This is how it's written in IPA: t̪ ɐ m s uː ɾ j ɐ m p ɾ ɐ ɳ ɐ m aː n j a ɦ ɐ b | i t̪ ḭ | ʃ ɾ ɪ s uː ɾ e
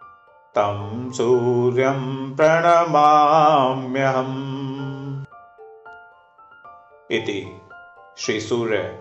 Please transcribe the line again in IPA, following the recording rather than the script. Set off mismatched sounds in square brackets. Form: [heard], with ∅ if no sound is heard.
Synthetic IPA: t̪ ɐ m s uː ɾ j ɐ m p ɾ ɐ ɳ ɐ m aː [m] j [ɐ] ɦ ɐ [m] | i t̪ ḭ | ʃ ɾ [i] s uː ɾ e